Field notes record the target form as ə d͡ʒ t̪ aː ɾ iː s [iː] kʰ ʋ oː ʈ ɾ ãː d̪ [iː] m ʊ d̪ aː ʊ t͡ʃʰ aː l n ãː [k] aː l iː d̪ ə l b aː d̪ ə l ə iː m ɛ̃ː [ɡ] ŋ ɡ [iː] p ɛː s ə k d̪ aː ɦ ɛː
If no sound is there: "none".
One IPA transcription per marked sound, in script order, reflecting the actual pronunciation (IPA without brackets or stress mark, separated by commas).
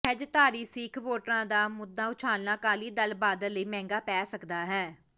iː, aː, k, none, aː